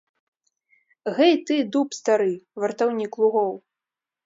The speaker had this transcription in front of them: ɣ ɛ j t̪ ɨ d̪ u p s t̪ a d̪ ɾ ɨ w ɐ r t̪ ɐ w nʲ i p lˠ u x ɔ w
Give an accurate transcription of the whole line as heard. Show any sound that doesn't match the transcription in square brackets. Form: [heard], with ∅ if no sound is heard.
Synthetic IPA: ɣ ɛ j t̪ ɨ d̪ u p s t̪ a [∅] ɾ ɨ [v] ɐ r t̪ [a] w nʲ i [k] lˠ u [ɣ] ɔ w